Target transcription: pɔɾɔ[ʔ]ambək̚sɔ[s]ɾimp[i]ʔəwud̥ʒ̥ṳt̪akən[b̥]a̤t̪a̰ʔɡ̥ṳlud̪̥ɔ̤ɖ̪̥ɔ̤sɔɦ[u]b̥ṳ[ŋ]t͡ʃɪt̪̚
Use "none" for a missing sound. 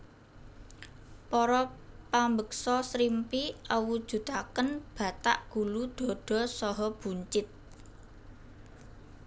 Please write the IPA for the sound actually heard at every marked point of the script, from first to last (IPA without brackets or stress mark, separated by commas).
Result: p, s, i, b̥, ɔ, ɲ